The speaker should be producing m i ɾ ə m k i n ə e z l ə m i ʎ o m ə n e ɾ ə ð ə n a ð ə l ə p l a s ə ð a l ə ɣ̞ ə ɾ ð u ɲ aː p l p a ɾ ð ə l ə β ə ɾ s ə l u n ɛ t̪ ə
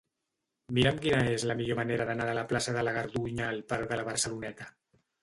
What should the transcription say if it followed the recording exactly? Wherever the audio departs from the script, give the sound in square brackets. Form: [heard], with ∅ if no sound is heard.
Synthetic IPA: m i ɾ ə m k i n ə e z l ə m i ʎ o m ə n e ɾ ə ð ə n a ð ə l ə p l a s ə ð [ə] l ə ɣ̞ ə ɾ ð u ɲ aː [∅] l p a ɾ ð ə l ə β ə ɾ s ə l u n ɛ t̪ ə